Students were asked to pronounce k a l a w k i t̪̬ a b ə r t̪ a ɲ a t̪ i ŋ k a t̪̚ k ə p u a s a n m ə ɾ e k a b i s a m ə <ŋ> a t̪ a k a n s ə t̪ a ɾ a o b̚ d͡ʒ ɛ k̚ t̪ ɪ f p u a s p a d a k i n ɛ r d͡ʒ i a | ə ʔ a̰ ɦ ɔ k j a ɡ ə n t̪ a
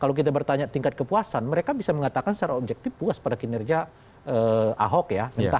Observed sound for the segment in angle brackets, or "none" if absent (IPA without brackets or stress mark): ŋ